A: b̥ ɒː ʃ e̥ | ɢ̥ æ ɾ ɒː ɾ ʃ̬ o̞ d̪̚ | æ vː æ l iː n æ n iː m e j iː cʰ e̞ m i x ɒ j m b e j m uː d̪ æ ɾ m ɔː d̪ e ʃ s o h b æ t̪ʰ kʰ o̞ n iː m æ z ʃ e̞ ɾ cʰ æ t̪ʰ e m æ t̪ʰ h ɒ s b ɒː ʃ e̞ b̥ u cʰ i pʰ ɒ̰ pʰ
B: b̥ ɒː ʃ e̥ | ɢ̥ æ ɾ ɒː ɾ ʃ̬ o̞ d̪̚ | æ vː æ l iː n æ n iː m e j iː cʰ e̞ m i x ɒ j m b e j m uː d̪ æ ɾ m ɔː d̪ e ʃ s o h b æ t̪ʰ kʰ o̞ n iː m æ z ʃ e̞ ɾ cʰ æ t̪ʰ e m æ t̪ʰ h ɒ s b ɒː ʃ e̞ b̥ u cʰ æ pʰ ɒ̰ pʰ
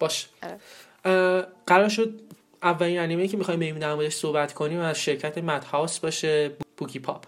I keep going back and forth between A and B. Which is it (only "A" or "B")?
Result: A